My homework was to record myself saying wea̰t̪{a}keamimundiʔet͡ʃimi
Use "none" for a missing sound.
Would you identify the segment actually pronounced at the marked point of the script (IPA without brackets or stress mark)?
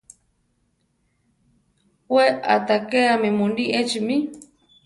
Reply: a